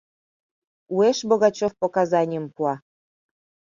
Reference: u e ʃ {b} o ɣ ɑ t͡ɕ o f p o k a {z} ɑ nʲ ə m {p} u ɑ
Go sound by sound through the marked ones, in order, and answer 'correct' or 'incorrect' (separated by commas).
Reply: correct, correct, correct